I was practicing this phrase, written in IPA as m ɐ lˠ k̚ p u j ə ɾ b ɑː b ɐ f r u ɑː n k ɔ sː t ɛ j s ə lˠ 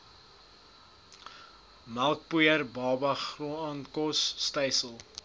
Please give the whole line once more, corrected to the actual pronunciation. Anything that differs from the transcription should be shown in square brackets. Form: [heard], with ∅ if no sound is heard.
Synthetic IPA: m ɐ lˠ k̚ p u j ə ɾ b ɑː b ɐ [χ] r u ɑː n k ɔ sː t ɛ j s ə lˠ